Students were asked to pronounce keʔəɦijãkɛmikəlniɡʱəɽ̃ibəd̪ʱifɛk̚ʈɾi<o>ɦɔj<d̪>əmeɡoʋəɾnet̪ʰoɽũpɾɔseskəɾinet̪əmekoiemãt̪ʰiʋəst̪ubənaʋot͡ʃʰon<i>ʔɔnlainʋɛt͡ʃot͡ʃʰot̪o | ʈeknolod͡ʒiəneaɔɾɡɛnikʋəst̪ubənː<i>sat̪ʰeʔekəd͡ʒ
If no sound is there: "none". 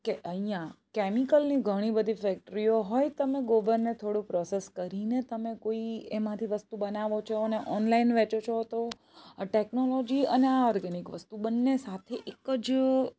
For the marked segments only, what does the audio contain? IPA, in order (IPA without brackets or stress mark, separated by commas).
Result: o, t̪, e, e